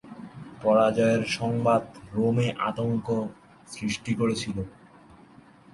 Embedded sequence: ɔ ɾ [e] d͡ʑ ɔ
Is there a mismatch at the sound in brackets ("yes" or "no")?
yes